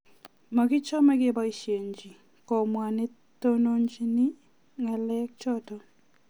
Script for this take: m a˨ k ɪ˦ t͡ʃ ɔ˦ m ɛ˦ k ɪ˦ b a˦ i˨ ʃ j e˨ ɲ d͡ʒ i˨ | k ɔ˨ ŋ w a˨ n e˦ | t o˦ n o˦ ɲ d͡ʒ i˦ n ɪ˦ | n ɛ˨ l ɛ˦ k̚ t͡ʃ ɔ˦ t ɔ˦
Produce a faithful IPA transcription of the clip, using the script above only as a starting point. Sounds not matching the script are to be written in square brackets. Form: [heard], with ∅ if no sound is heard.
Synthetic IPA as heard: m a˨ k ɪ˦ t͡ʃ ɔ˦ m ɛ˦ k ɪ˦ b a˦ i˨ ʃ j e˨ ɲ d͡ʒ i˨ | k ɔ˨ [m] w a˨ n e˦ | t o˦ n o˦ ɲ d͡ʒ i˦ n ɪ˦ | [ŋ] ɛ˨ l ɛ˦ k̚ t͡ʃ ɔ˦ t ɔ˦